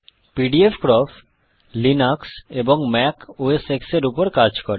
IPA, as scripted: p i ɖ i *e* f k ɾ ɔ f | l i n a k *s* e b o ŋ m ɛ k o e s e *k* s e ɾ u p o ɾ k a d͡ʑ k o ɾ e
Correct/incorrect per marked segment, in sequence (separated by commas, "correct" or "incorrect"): correct, correct, correct